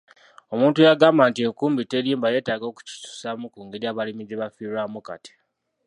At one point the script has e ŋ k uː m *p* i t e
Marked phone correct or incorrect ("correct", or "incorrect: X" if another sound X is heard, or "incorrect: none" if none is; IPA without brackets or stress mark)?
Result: incorrect: b